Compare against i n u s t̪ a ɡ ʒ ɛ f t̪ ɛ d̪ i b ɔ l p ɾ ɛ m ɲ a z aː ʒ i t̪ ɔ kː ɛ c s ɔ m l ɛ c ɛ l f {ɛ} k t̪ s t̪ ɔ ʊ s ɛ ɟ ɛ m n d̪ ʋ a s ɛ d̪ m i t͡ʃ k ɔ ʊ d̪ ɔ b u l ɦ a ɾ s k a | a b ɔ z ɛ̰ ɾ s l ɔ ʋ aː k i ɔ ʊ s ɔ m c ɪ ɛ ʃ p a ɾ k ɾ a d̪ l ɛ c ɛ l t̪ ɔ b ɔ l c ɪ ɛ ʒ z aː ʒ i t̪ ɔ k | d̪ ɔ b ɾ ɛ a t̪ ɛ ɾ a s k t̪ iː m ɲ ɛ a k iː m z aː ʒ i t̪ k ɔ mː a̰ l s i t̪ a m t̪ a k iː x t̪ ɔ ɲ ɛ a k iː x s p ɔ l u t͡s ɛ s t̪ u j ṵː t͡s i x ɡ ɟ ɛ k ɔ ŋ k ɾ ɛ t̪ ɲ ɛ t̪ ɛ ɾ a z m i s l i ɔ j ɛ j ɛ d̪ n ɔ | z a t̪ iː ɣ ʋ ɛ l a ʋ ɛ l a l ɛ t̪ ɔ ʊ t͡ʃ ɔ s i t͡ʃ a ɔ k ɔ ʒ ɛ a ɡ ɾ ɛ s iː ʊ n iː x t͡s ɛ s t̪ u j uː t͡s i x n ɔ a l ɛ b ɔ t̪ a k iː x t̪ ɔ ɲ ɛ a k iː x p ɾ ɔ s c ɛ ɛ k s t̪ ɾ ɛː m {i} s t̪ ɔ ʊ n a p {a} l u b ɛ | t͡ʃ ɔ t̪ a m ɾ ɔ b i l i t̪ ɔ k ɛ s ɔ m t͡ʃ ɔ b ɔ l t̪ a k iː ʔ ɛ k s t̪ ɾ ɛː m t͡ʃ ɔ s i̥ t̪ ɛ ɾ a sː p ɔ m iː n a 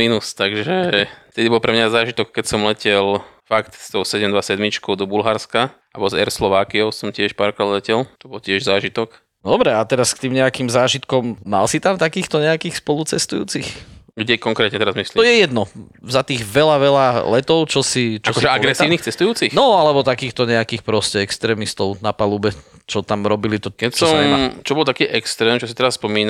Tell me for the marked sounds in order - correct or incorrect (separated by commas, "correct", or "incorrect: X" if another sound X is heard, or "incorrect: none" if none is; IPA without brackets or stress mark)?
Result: incorrect: a, correct, correct